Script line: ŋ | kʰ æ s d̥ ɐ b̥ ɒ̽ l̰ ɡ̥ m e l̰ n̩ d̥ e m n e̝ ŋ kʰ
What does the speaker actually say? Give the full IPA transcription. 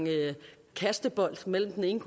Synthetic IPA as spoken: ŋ | kʰ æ s d̥ ə b̥ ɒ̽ l̰ d̥ m e l̰ m̩ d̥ e n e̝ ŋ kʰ